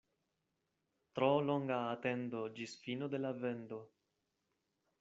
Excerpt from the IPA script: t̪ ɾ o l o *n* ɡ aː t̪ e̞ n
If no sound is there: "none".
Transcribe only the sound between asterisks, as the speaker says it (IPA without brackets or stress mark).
ŋ